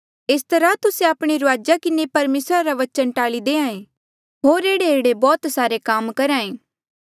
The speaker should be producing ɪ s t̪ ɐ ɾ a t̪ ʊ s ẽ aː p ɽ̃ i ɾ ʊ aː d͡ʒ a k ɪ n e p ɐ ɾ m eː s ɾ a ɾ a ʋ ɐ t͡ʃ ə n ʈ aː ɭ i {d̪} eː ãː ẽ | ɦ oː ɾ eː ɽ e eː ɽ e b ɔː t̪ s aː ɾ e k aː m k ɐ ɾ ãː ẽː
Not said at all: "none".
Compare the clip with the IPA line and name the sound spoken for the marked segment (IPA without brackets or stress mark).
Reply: d̪